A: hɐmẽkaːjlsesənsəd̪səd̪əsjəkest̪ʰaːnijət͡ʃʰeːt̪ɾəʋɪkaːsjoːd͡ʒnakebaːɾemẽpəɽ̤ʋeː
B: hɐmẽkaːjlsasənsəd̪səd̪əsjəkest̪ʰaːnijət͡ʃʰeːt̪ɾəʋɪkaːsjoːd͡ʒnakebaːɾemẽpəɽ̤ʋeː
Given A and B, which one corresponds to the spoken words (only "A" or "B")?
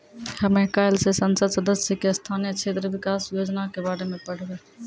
A